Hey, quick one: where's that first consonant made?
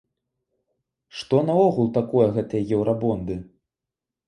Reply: retroflex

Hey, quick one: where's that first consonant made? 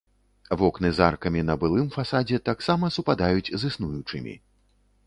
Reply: lips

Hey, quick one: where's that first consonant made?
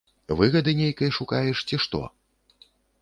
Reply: lips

